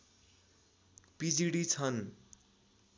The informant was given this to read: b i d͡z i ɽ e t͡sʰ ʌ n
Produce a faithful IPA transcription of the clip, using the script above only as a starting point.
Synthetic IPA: p i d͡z i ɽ i t͡sʰ ʌ n